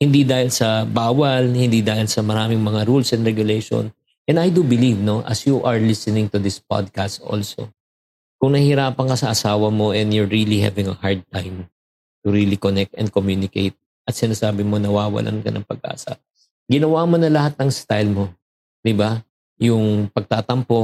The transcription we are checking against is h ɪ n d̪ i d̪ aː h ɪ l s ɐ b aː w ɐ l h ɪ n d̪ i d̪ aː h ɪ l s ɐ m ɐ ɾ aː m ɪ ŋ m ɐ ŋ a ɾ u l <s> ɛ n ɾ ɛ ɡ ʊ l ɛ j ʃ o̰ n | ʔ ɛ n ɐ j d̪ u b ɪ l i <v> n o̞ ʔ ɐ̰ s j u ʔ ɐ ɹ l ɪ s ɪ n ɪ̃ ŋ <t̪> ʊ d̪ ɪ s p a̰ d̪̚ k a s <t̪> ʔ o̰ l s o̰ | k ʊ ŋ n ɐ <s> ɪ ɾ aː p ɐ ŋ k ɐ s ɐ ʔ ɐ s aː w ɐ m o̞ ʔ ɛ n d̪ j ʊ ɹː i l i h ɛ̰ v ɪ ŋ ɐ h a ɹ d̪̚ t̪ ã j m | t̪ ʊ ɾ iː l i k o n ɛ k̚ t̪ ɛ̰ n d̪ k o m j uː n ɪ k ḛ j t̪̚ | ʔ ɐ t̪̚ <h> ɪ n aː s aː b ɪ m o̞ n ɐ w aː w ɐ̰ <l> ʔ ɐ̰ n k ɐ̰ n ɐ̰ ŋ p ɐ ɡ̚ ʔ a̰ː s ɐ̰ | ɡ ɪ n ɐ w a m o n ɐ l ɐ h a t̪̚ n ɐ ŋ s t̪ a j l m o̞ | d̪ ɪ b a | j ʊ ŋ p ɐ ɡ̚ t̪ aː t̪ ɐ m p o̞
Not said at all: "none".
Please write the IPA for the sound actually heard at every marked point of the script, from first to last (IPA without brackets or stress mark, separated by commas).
s, v, t̪, t̪, h, s, l